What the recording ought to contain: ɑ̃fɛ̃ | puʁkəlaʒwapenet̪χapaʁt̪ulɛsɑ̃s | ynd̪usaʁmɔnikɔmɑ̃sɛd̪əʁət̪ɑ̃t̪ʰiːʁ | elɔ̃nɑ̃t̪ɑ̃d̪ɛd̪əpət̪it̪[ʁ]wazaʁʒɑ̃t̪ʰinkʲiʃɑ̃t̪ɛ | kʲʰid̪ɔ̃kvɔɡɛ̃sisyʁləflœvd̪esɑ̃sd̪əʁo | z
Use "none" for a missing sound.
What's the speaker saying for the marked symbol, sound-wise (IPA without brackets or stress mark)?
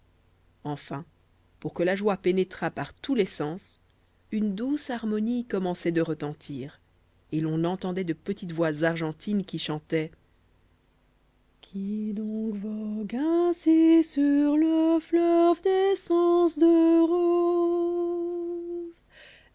v